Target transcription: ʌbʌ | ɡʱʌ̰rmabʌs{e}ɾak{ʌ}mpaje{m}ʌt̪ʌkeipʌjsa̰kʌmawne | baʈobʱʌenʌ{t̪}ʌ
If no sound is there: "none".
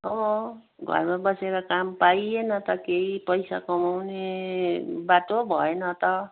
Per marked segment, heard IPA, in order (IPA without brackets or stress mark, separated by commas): e, a, n, t̪